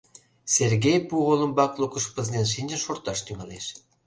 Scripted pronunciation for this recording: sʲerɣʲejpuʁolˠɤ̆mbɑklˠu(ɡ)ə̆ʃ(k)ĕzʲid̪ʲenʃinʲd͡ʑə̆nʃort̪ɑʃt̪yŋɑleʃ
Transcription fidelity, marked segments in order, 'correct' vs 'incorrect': incorrect, incorrect

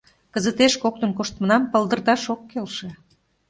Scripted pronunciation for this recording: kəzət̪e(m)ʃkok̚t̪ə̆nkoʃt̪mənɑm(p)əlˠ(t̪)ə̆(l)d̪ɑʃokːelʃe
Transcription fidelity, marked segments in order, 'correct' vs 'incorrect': incorrect, correct, incorrect, incorrect

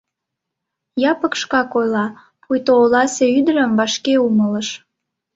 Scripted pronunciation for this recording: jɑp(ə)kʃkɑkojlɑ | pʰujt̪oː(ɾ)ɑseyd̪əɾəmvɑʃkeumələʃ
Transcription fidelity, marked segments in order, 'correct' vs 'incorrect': correct, incorrect

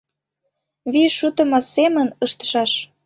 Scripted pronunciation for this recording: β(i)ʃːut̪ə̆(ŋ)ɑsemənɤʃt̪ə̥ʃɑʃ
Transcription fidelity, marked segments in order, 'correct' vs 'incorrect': correct, incorrect

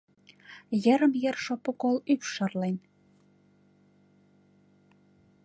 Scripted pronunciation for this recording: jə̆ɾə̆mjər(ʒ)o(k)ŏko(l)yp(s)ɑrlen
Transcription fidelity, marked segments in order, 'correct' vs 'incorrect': incorrect, incorrect, correct, incorrect

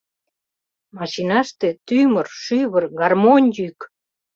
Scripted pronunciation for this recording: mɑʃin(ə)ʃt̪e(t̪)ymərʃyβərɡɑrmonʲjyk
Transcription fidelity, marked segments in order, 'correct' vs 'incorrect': incorrect, correct

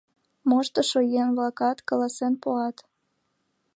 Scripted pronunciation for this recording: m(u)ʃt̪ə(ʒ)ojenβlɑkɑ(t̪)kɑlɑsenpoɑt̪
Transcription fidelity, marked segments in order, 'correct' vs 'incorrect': incorrect, incorrect, correct

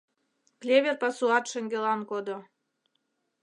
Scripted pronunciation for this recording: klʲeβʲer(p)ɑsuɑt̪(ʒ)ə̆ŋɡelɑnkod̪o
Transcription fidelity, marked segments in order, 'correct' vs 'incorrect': correct, incorrect

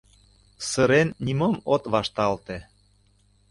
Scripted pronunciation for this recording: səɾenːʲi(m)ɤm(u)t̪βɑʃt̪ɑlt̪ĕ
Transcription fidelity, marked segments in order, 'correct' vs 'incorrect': correct, incorrect

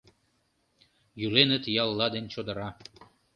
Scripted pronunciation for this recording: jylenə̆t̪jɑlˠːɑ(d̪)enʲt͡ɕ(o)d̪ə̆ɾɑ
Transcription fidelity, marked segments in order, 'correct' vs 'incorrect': correct, correct

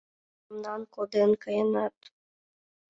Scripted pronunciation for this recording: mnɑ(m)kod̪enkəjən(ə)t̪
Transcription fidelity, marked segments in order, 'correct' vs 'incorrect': incorrect, incorrect

